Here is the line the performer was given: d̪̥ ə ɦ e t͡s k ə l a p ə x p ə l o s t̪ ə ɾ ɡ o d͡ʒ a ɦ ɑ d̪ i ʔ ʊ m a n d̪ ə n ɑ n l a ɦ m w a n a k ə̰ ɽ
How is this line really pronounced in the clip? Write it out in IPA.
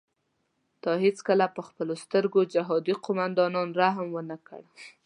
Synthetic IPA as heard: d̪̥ ɑ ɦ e t͡s k ə l a p ə x p ə l o s t̪ ə ɾ ɡ o d͡ʒ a ɦ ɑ d̪ i q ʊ m a n d̪ ɑ n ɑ n ɾ a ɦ m w ə n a k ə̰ ɽ